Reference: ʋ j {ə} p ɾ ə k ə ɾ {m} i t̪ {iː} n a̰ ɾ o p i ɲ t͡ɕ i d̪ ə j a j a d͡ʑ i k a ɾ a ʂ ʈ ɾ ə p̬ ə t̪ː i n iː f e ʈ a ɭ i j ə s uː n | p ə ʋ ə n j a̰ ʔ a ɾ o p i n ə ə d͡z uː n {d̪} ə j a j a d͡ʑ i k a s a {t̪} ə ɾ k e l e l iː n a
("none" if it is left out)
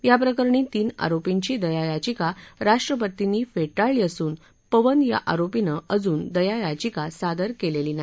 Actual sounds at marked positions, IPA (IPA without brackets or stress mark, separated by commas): a, ɳ, iː, d̪, d̪